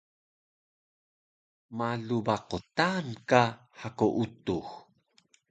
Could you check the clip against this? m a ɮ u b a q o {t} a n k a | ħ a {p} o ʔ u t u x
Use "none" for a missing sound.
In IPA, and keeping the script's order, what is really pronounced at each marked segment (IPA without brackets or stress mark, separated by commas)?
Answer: t, k